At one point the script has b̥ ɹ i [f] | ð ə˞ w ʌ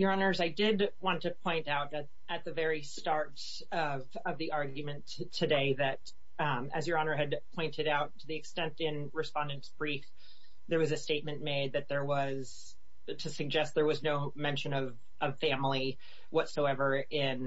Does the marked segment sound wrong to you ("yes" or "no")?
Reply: no